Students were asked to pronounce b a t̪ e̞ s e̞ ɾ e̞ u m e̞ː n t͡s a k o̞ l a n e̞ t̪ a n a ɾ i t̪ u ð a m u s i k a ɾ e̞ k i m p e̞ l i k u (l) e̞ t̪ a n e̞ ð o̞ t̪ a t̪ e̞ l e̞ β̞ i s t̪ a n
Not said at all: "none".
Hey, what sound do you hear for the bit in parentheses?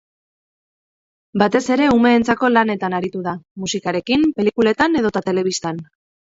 l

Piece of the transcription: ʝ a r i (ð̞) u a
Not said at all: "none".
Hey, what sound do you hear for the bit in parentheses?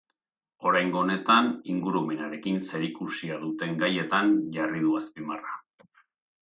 ð̞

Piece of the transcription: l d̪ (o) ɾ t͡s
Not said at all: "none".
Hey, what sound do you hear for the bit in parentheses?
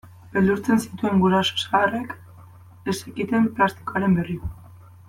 u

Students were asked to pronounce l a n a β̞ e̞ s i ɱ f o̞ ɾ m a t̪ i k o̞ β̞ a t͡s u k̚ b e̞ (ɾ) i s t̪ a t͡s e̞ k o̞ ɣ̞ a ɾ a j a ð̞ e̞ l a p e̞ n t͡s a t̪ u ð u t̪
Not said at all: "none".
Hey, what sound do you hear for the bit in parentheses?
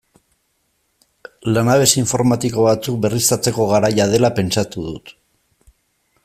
r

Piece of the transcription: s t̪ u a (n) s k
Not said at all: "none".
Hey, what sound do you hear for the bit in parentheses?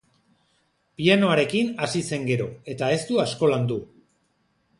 none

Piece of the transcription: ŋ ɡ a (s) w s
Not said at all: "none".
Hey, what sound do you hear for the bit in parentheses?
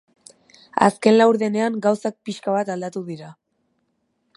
none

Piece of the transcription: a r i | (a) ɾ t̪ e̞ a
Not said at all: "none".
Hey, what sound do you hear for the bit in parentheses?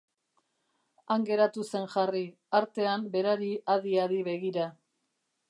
a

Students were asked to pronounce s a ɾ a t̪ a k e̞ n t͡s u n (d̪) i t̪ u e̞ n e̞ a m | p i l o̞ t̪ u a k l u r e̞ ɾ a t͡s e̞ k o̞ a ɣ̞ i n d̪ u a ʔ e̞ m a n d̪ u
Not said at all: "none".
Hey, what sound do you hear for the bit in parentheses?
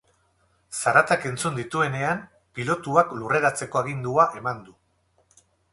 d̪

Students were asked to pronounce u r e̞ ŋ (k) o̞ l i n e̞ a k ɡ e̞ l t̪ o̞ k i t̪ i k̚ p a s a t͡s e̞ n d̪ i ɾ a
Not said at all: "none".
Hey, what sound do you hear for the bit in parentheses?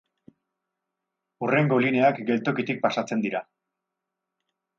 ɡ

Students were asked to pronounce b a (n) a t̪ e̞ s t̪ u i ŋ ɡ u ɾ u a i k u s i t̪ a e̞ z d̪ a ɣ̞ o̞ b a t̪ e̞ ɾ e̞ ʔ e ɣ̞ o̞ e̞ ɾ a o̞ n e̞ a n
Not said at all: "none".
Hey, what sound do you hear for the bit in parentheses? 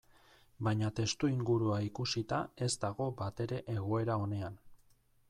ɲ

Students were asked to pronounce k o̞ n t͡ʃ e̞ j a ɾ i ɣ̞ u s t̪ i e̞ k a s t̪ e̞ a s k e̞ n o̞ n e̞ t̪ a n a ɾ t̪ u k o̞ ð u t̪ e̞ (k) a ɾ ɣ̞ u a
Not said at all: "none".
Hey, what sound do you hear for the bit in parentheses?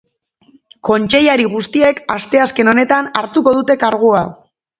k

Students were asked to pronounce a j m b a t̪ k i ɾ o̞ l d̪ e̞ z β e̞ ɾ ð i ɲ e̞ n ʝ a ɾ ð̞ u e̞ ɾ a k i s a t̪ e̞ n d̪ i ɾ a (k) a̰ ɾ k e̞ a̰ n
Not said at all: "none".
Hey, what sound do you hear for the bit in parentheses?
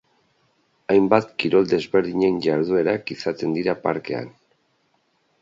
p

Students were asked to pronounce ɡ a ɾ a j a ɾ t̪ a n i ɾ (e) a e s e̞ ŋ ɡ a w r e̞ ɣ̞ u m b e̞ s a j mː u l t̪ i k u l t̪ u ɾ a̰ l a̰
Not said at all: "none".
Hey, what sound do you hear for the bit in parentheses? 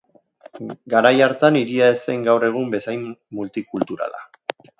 i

